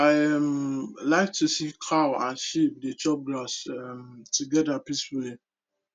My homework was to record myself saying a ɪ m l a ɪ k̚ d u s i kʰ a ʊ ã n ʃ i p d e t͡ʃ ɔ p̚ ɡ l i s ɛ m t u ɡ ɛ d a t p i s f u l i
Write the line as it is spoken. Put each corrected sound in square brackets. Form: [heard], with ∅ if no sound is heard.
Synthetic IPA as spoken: a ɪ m l a ɪ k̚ [t] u s i kʰ a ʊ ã n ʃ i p d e t͡ʃ ɔ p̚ ɡ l [a] s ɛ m t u ɡ ɛ d a [∅] p i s f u l i